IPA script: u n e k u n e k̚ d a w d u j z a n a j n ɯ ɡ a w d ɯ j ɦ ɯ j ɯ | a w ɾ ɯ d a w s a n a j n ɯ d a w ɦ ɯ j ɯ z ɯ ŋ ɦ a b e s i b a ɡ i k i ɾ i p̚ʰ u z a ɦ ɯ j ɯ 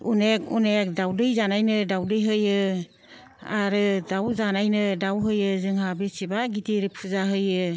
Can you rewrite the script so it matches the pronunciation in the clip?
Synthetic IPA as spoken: u n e k u n e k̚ d a w d ɯ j z a n a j n ɯ d a w d ɯ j ɦ ɯ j ɯ | a ɾ ɯ d a w z a n a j n ɯ d a w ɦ ɯ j ɯ z ɯ ŋ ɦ a b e s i b a ɡ i t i ɾ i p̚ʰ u z a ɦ ɯ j ɯ